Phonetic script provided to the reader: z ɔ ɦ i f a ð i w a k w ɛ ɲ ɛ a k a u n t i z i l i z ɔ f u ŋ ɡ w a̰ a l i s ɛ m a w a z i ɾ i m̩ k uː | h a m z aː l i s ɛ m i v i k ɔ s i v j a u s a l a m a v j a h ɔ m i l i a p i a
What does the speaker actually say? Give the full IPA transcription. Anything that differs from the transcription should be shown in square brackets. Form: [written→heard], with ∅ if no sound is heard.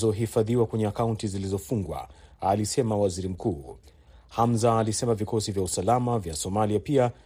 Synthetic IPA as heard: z ɔ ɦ i f a ð i w a k w ɛ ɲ ɛ a k a u n t i z i l i z ɔ f u ŋ ɡ w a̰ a l i s ɛ m a w a z i ɾ i m̩ k uː | h a m z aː l i s ɛ m [i→a] v i k ɔ s i v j a u s a l a m a v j a [h→s] ɔ m [i→a] l i a p i a